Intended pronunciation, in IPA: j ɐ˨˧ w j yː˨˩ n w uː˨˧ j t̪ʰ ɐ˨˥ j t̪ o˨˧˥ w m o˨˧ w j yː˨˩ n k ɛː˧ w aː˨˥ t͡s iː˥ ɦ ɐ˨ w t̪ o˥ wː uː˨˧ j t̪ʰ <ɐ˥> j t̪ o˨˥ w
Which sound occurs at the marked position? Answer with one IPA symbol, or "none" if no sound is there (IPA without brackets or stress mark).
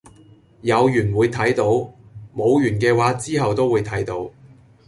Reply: ɐ˨˥